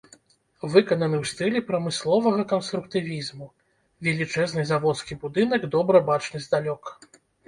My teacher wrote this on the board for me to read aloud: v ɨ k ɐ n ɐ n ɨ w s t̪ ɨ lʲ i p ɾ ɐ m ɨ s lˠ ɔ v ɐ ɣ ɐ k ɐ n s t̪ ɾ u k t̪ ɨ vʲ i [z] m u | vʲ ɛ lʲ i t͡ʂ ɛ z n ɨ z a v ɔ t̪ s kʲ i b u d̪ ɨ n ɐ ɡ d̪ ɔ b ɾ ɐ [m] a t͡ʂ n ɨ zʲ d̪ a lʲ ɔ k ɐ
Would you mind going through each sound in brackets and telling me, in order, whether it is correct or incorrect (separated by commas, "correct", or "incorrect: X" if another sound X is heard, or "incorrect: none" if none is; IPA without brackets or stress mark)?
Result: correct, incorrect: b